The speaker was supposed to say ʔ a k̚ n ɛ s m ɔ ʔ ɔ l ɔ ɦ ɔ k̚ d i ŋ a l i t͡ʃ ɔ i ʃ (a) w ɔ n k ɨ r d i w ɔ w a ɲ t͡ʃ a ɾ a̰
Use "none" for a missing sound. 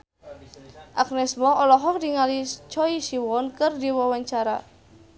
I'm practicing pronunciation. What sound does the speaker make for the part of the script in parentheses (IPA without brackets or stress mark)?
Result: i